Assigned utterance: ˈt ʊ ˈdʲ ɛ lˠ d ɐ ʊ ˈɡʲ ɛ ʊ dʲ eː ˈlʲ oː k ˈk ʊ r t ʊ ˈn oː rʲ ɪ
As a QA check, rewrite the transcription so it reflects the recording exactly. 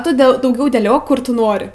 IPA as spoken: ˈt ʊ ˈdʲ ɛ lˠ d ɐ ʊ ˈɡʲ ɛ ʊ dʲ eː ˈlʲ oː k ˈk ʊ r t ʊ ˈn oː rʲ ɪ